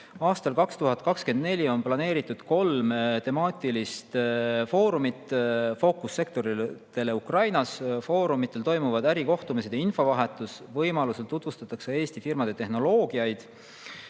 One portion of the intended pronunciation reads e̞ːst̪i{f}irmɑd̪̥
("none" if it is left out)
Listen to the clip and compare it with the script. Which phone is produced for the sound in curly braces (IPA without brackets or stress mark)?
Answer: f